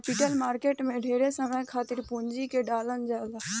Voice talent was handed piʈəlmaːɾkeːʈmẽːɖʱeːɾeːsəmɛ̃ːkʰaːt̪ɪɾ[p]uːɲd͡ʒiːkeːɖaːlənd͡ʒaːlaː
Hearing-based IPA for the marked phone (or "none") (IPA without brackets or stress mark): p